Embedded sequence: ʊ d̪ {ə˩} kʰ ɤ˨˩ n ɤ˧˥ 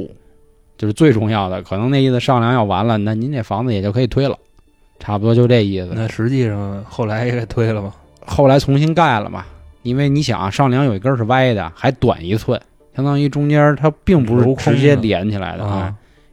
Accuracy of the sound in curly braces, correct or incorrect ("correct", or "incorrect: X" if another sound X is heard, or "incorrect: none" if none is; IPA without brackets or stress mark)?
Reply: correct